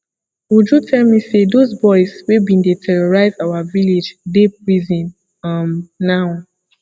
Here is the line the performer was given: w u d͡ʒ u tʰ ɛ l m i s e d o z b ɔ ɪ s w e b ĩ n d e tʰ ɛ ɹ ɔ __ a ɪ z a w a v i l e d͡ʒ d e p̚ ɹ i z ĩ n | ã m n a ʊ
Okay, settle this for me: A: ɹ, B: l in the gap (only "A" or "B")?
A